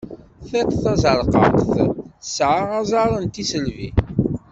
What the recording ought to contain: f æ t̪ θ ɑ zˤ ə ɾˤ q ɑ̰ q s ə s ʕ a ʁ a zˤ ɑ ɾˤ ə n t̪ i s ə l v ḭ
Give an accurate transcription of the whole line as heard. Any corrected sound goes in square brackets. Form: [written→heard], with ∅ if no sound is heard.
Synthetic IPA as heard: [f→θ] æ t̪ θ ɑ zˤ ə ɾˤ q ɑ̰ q [s→θ] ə s ʕ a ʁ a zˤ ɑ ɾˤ ə n t̪ i s ə l v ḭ